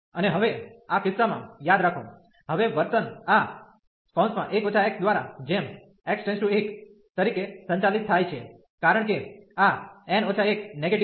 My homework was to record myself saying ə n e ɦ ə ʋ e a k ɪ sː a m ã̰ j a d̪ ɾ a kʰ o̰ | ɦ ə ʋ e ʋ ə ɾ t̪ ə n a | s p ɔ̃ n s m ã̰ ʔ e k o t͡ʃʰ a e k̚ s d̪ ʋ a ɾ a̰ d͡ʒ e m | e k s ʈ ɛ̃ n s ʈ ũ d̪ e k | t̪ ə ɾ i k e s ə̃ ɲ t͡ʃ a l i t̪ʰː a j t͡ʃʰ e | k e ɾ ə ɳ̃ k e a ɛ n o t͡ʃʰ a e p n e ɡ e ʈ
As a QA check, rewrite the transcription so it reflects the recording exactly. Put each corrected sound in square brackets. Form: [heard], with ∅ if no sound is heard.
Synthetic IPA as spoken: ə n e ɦ ə ʋ e a k ɪ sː a m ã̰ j a d̪ ɾ a kʰ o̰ | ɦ ə ʋ e ʋ ə ɾ t̪ ə n a | s p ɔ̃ n s m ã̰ ʔ e k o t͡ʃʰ a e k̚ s d̪ ʋ a ɾ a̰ d͡ʒ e m | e k s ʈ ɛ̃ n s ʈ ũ [∅] e k | t̪ ə ɾ i k e s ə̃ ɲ t͡ʃ a l i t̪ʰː a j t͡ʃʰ e | k [a] ɾ ə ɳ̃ k e a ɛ n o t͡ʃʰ a e [k] n e ɡ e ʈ